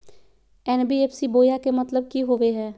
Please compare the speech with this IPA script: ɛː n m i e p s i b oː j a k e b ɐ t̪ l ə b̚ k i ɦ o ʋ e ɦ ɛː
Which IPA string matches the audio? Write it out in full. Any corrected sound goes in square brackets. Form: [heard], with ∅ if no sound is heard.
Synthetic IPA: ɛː n [b] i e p s i b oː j a k e [m] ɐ t̪ l ə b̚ k i ɦ o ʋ e ɦ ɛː

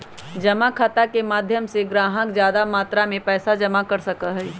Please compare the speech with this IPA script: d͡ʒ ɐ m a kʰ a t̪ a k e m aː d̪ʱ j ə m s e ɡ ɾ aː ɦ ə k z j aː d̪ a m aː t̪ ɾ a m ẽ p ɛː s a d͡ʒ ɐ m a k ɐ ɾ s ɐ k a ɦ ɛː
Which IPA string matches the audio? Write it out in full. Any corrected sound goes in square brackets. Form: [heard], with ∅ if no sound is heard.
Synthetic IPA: d͡ʒ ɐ m a kʰ a t̪ a k e m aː d̪ʱ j ə m s e ɡ ɾ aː ɦ ə k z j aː d̪ a m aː t̪ ɾ a m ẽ p ɛː s a d͡ʒ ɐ m a k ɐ ɾ s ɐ k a ɦ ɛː

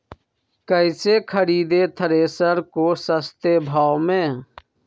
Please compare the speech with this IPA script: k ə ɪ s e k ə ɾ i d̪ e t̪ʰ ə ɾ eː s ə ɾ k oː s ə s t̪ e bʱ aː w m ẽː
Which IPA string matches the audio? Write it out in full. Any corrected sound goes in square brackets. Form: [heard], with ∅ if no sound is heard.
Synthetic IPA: k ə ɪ s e [kʰ] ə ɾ [iː] d̪ e t̪ʰ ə ɾ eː s ə ɾ k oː s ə s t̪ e bʱ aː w m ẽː

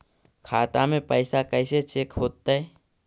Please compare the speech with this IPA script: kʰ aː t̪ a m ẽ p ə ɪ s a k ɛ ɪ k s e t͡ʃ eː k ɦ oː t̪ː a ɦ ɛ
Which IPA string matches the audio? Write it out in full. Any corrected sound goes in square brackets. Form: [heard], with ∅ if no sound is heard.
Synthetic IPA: kʰ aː t̪ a m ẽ p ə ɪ s a k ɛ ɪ [∅] s e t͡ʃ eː k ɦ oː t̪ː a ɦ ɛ

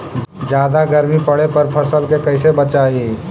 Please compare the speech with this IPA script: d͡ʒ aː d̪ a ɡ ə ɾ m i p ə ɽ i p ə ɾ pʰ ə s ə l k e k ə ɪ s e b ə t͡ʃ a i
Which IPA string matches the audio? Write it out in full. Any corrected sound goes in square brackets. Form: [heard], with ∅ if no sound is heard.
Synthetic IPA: d͡ʒ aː d̪ a ɡ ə ɾ m i p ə ɽ [e] p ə ɾ pʰ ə s ə l k e k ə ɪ s e b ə t͡ʃ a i

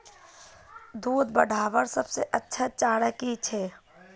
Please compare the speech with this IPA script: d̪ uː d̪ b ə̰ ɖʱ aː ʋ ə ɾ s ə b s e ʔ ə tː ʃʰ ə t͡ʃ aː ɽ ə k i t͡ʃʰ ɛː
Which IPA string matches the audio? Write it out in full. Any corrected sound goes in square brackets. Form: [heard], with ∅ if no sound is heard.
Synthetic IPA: d̪ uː d̪ b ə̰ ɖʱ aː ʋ ə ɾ s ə b s e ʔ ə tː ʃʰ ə t͡ʃ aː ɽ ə k i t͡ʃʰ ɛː

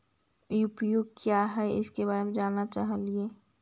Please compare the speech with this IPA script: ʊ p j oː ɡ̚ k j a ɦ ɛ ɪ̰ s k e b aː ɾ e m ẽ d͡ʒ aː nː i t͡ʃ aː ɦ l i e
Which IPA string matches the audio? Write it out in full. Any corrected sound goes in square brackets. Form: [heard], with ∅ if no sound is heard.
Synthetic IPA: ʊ p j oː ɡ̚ k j a ɦ ɛ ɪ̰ s k e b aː ɾ e m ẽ d͡ʒ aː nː [a] t͡ʃ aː ɦ l i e

